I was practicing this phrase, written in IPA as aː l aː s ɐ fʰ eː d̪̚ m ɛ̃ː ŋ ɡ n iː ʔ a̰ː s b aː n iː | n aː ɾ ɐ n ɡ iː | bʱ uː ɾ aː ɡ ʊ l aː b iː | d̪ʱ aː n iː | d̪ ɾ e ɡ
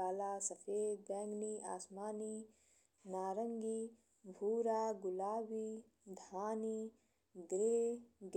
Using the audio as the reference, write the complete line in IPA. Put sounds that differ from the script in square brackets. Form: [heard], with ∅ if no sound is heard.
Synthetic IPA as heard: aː l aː s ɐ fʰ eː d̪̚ [b] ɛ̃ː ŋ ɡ n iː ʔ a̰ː s [m] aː n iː | n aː ɾ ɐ [ŋ] ɡ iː | bʱ uː ɾ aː ɡ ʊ l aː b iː | d̪ʱ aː n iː | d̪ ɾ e ɡ

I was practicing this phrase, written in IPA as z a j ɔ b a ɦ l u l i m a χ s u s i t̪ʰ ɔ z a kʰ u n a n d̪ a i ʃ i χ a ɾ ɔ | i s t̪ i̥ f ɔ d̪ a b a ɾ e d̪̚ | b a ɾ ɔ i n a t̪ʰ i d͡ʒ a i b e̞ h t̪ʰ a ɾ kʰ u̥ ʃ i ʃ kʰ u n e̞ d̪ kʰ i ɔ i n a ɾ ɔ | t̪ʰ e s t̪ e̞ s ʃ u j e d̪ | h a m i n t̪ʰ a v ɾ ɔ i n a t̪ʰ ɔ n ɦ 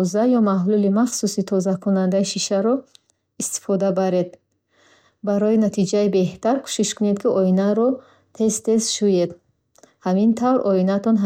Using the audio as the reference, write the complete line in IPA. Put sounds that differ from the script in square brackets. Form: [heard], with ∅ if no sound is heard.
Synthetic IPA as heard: z a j ɔ [m] a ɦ l u l i m a χ s u s i t̪ʰ ɔ z a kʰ u n a n d̪ a i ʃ i [ʃ] a ɾ ɔ | i s t̪ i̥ f ɔ d̪ a b a ɾ e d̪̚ | b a ɾ ɔ i n a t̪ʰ i d͡ʒ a i b e̞ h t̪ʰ a ɾ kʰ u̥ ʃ i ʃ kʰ u n e̞ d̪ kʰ i ɔ i n a ɾ ɔ | t̪ʰ e s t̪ e̞ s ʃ u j e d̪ | h a m i n t̪ʰ a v ɾ ɔ i n a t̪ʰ ɔ n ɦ

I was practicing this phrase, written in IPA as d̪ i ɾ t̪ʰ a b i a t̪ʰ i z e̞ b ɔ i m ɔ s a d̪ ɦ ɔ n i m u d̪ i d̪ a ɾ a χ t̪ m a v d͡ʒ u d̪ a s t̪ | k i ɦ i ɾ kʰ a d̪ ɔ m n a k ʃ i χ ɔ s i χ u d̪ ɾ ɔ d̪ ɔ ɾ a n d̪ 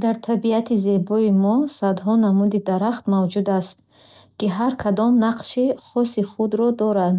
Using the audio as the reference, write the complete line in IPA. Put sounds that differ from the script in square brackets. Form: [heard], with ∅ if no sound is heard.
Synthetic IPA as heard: d̪ [a] ɾ t̪ʰ a b i a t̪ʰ i z e̞ b ɔ i m ɔ s a d̪ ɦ ɔ n [a] m u d̪ i d̪ a ɾ a χ t̪ m a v d͡ʒ u d̪ a s t̪ | k i ɦ [a] ɾ kʰ a d̪ ɔ m n a [q] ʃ i χ ɔ s i χ u d̪ ɾ ɔ d̪ ɔ ɾ a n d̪

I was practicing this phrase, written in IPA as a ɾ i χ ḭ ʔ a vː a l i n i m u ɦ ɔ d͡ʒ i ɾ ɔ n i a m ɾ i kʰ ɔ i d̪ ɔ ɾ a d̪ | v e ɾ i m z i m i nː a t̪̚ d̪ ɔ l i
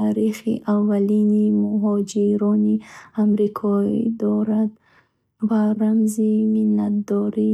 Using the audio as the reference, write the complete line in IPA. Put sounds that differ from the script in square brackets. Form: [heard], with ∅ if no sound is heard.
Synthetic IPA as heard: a ɾ i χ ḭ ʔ a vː a l i n i m u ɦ ɔ d͡ʒ i ɾ ɔ n i a m ɾ i kʰ ɔ i d̪ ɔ ɾ a d̪ | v [a] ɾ [a] m z i m i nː a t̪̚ d̪ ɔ [ɾ] i

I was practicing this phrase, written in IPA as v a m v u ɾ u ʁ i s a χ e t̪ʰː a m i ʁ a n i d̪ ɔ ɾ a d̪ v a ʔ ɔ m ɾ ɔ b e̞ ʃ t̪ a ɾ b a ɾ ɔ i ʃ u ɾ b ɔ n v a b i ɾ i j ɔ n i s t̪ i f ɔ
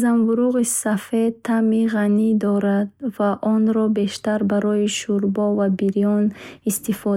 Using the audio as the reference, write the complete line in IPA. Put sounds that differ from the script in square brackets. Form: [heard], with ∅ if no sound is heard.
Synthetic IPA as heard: [z] a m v u ɾ u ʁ i s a [f] e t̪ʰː a m i ʁ a n i d̪ ɔ ɾ a d̪ v a ʔ ɔ [n] ɾ ɔ b e̞ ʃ t̪ a ɾ b a ɾ ɔ i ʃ u ɾ b ɔ [∅] v a b i ɾ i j ɔ n i s t̪ i f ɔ

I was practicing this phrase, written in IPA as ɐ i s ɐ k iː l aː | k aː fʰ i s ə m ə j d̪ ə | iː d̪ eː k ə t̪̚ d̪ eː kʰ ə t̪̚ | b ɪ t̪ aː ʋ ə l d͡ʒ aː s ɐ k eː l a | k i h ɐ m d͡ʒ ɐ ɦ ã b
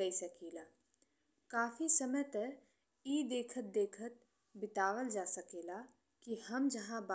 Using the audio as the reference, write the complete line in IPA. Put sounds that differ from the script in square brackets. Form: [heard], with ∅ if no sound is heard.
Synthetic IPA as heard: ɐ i s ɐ k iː l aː | k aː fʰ i s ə m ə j [t̪] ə | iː d̪ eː [kʰ] ə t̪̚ d̪ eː kʰ ə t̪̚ | b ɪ t̪ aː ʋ ə l d͡ʒ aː s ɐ k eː l a | k i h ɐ m d͡ʒ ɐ ɦ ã b

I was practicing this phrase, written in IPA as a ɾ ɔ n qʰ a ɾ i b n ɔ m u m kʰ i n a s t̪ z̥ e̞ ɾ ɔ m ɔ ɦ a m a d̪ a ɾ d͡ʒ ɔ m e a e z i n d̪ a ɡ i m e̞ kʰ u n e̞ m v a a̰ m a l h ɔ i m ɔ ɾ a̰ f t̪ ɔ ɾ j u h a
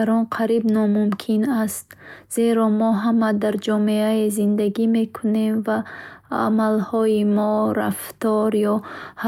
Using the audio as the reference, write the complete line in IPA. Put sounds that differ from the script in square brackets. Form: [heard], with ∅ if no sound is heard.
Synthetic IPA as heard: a ɾ ɔ n qʰ a ɾ i b n ɔ m u m kʰ i n a s t̪ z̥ e̞ ɾ ɔ m ɔ ɦ a m a d̪ a ɾ d͡ʒ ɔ m e a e z i n d̪ a ɡ i m e̞ kʰ u n e̞ m v a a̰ m a l h ɔ i m ɔ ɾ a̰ f t̪ ɔ ɾ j [ɔ] h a

